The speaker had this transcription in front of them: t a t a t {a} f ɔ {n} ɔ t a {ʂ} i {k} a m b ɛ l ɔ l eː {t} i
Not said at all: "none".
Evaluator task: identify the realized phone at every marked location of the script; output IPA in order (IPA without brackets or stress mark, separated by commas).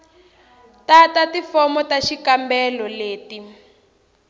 i, m, ʃ, k, t